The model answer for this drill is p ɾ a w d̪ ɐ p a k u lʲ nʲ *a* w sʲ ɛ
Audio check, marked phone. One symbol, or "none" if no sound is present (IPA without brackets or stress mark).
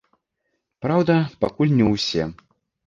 ɛ